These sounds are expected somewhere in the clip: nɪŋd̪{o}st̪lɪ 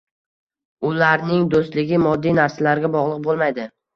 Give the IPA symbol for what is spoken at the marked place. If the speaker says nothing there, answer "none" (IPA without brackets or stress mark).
o